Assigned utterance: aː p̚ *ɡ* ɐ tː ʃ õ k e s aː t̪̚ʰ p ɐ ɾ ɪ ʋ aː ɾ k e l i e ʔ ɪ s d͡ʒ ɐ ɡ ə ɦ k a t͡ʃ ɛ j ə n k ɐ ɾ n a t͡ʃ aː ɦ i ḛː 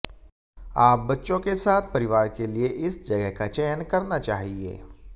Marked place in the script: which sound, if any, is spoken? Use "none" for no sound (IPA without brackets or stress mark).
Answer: b